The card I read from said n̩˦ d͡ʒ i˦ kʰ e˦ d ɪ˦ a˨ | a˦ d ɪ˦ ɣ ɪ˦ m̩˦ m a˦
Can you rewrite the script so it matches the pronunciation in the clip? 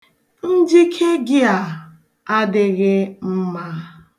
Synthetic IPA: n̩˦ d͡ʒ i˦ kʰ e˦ ɡ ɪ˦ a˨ | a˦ d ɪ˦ ɣ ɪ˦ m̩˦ m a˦